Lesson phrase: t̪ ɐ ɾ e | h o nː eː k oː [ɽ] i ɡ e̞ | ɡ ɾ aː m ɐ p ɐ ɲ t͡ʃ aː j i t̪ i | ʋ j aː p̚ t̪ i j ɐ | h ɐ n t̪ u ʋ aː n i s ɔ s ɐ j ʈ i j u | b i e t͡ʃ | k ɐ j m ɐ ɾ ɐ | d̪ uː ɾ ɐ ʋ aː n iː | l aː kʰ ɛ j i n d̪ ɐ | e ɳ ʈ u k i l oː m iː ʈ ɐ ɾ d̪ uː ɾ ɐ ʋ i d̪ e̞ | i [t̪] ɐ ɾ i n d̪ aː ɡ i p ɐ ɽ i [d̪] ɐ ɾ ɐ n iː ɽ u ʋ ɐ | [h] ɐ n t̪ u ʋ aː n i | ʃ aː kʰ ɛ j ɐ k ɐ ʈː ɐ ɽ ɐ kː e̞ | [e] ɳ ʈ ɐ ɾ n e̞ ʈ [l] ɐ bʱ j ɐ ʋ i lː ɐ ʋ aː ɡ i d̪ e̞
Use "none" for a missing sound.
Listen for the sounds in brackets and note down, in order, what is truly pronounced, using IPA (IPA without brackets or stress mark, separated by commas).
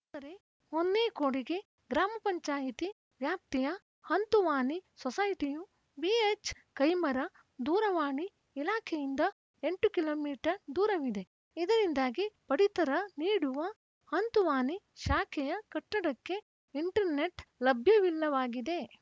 ɽ, d̪, t̪, h, i, l